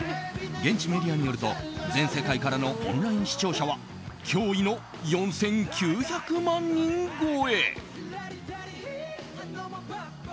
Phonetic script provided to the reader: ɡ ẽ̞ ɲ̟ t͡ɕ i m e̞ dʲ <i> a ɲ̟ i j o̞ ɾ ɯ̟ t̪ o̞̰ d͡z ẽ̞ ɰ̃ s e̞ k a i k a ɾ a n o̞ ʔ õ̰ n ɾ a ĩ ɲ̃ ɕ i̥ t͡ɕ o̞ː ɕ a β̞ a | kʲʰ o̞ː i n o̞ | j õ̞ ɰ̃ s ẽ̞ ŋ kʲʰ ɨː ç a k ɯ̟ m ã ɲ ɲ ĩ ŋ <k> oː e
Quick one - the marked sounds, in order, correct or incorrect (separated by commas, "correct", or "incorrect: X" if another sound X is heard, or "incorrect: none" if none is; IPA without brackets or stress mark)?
correct, incorrect: ɡ